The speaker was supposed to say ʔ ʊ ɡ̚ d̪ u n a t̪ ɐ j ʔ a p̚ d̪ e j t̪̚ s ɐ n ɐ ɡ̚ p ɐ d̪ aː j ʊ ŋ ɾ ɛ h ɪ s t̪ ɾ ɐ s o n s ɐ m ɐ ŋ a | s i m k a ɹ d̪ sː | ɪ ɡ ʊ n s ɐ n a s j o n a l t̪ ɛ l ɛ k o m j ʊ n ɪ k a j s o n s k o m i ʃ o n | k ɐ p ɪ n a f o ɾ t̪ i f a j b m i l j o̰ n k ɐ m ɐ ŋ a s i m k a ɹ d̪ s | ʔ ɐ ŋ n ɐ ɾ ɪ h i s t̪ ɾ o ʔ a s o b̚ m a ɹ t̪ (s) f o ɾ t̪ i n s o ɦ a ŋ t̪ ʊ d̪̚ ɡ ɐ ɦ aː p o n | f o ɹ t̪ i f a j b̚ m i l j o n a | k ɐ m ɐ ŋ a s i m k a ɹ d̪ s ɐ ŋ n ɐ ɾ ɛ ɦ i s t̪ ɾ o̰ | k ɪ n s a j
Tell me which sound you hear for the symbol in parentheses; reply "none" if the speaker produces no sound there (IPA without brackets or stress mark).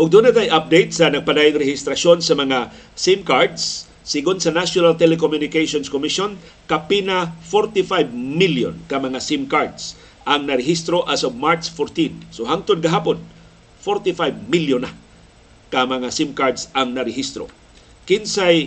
s